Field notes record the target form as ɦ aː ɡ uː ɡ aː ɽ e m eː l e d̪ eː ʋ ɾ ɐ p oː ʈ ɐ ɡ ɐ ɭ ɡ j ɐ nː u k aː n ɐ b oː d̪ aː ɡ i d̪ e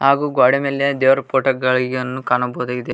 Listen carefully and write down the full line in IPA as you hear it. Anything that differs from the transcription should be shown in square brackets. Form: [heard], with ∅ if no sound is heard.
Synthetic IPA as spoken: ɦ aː ɡ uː ɡ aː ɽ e m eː l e d̪ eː ʋ ɾ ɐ p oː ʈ ɐ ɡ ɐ ɭ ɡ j ɐ nː u k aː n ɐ b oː d̪ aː ɡ i d̪ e